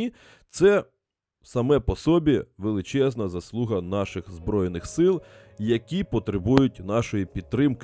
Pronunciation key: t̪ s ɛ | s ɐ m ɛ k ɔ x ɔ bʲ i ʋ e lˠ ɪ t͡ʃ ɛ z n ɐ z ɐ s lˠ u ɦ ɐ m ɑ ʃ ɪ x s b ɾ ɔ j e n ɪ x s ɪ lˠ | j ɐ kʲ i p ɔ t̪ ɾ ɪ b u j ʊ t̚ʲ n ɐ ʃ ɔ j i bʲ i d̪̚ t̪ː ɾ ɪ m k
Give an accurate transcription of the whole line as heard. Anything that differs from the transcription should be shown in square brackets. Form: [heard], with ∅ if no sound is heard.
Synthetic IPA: t̪ s ɛ | s ɐ m ɛ [p] ɔ [s] ɔ bʲ i ʋ e lˠ ɪ t͡ʃ ɛ z n ɐ z ɐ s lˠ u ɦ ɐ [n] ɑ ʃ ɪ x [z] b ɾ ɔ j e n ɪ x s ɪ lˠ | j ɐ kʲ i p ɔ t̪ ɾ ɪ b u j ʊ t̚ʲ n [ɑ] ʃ ɔ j i [pʲ] i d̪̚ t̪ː ɾ ɪ m k